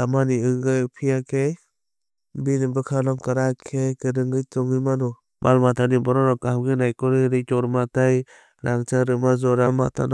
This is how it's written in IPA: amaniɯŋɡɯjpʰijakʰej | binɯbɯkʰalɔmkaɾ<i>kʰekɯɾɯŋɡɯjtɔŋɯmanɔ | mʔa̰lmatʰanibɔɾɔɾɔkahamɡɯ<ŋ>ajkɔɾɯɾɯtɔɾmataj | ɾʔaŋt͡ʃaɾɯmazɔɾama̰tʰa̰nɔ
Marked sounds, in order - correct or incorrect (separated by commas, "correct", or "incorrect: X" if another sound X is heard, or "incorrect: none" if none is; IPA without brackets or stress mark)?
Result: incorrect: a, incorrect: n